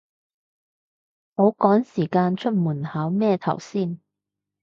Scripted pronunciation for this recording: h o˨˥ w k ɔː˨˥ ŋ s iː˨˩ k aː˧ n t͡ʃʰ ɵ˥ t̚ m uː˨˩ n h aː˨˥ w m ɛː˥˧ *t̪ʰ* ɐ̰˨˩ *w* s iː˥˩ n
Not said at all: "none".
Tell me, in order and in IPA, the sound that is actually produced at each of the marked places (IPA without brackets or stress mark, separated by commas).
t̪ʰ, w